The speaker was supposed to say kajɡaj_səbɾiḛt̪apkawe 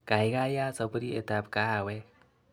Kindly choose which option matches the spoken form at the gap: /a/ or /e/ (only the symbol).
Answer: a